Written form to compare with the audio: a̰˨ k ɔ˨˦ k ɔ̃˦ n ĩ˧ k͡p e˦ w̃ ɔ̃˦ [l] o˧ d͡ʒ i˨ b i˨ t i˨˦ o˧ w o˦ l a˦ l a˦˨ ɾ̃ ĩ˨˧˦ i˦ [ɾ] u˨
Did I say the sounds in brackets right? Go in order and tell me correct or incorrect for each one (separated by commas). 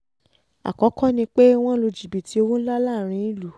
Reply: correct, incorrect